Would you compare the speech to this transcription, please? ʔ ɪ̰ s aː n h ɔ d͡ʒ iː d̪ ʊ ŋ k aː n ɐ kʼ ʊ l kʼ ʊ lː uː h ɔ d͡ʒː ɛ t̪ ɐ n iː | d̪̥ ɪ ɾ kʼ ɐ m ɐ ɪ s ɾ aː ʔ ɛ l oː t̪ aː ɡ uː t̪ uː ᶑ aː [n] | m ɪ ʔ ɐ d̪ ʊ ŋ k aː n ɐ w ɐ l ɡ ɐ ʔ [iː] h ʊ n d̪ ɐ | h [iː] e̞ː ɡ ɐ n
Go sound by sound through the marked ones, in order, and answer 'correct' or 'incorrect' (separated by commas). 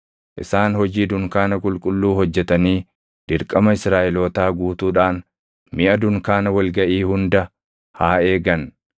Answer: correct, correct, incorrect